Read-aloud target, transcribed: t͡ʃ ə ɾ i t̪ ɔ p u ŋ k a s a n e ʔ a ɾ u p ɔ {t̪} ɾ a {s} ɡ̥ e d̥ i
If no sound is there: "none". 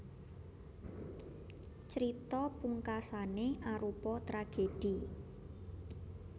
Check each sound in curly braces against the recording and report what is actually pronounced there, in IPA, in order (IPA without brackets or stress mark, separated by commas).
t̪, none